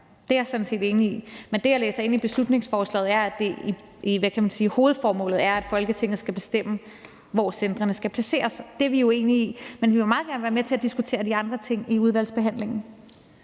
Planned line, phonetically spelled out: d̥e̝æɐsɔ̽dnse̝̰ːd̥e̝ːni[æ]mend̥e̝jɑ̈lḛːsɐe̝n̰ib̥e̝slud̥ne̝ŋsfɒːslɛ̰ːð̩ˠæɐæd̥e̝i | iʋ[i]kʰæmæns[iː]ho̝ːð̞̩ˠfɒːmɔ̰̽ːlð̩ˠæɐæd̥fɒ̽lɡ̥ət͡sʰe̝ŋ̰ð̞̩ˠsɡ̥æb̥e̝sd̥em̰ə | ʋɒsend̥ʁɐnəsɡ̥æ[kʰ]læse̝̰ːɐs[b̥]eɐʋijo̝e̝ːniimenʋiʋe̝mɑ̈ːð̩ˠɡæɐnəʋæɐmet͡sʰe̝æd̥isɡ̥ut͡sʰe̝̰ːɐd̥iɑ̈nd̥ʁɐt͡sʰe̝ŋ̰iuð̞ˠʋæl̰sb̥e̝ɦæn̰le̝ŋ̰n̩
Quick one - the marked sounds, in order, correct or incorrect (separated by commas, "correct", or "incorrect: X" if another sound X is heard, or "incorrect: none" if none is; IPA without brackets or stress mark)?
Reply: incorrect: i, incorrect: æ, correct, incorrect: pʰ, incorrect: d̥